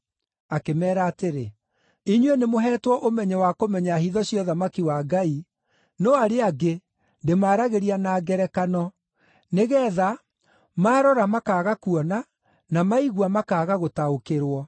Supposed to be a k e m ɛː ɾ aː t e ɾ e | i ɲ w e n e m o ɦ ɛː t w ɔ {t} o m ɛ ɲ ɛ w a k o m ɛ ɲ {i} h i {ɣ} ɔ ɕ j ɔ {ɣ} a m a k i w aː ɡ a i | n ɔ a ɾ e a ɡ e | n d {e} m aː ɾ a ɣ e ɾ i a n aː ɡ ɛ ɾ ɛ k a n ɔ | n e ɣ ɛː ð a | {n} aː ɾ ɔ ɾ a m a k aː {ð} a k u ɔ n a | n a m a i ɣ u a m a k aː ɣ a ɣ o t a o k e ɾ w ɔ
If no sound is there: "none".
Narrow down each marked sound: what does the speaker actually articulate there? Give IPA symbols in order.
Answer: ʔ, a, ð, ð, e, m, ɣ

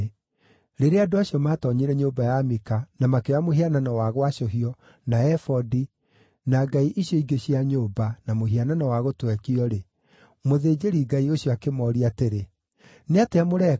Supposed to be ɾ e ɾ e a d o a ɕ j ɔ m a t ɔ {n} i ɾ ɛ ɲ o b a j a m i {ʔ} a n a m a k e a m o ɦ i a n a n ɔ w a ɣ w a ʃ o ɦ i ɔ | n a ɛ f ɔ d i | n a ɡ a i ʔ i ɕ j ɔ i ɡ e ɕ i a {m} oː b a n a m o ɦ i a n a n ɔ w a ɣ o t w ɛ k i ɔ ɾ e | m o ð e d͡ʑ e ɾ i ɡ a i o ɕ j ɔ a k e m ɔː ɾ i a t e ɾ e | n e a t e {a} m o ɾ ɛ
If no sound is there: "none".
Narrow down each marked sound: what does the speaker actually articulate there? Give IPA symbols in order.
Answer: ɲ, k, ɲ, a

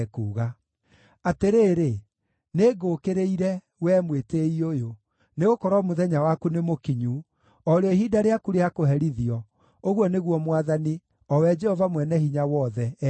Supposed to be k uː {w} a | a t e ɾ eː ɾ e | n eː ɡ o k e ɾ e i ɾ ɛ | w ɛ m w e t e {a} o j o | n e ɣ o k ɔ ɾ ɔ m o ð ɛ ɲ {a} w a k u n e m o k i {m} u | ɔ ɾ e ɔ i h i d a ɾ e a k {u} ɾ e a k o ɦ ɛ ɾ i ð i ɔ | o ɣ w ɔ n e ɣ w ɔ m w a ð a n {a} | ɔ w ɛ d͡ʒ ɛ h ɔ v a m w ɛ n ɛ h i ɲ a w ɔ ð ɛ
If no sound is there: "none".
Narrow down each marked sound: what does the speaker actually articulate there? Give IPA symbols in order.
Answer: ɣ, i, a, ɲ, u, i

